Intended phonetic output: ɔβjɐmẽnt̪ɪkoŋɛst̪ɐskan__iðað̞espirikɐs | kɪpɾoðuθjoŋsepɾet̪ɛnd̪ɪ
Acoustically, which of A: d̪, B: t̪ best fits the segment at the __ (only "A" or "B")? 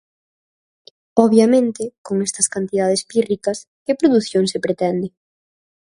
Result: B